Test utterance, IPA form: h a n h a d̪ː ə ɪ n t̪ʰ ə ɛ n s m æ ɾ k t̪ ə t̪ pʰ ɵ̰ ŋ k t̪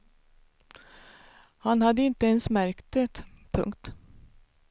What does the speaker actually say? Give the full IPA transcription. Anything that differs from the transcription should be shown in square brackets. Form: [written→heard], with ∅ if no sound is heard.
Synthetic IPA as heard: h a n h a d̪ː ə ɪ n [t̪ʰ→t̪] ə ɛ n s m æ ɾ k t̪ ə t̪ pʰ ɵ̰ ŋ k t̪